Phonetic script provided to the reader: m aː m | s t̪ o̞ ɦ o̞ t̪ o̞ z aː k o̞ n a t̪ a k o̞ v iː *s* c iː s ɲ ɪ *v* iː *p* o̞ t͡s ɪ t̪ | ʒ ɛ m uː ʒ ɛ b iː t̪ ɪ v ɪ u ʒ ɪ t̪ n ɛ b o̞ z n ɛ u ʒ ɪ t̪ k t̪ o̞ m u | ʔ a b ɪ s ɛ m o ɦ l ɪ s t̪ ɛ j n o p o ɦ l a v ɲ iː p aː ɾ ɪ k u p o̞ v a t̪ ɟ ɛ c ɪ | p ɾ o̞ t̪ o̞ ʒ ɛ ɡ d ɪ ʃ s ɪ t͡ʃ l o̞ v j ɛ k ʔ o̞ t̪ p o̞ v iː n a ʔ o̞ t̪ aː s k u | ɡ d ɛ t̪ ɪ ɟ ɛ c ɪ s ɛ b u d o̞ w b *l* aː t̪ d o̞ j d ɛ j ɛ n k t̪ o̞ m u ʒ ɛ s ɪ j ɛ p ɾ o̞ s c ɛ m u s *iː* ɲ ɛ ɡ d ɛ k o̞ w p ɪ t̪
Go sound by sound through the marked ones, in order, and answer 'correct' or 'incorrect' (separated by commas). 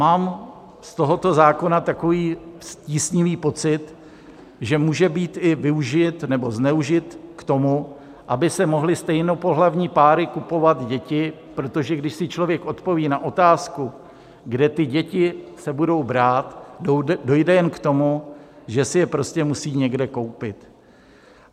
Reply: correct, correct, correct, incorrect, correct